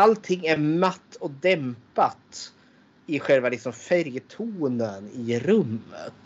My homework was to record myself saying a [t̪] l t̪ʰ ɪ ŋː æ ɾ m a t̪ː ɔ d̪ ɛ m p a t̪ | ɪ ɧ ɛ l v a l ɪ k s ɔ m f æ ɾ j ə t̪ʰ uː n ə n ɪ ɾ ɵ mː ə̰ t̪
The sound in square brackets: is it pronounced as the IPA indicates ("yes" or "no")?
no